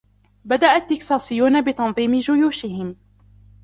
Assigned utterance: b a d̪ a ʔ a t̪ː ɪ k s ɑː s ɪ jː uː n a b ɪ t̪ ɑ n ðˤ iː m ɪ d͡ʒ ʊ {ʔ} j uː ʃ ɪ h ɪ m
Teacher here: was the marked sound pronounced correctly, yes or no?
no